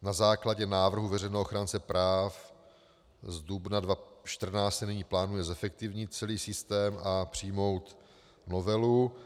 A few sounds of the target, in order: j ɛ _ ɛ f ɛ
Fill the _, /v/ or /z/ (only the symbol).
z